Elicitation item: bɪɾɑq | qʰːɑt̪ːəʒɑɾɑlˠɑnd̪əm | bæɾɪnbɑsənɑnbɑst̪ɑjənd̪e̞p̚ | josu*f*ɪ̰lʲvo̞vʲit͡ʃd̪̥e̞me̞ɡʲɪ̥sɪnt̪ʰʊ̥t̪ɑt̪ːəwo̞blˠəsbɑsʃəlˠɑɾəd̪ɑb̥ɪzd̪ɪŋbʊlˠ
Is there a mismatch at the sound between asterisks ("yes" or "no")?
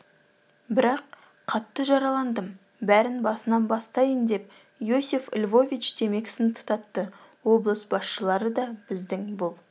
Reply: no